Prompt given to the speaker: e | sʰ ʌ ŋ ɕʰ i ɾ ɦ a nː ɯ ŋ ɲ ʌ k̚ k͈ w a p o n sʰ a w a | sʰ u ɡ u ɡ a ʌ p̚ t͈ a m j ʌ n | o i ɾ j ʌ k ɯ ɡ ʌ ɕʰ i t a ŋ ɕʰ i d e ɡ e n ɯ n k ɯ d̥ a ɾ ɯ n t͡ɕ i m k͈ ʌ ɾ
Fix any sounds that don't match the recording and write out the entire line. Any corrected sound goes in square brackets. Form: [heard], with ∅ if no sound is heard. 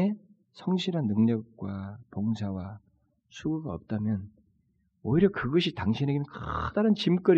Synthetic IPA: e | sʰ ʌ ŋ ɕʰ i ɾ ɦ a nː ɯ ŋ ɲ ʌ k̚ k͈ w a p o [ŋ] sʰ a w a | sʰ u ɡ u ɡ a ʌ p̚ t͈ a m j ʌ n | o i ɾ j ʌ k ɯ ɡ ʌ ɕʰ i t a ŋ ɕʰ i [n] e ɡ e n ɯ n k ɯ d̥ a ɾ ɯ n t͡ɕ i m k͈ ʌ ɾ